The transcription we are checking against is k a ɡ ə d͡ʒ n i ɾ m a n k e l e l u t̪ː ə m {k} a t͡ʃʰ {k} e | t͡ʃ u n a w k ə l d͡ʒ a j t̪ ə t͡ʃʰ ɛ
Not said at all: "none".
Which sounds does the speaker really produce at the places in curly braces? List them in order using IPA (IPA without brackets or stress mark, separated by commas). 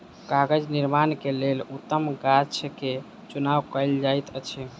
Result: ɡ, k